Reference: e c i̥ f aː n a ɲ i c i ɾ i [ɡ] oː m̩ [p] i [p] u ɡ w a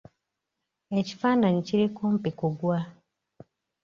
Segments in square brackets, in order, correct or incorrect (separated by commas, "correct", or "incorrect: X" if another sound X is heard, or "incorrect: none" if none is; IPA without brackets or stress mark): incorrect: k, correct, incorrect: k